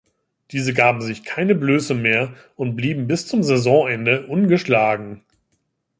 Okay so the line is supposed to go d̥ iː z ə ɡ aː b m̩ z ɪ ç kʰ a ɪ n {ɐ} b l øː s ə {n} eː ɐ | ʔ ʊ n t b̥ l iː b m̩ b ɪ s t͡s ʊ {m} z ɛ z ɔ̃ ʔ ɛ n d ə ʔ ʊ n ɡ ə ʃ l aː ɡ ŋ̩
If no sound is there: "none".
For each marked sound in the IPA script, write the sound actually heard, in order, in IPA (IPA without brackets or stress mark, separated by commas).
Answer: ə, m, m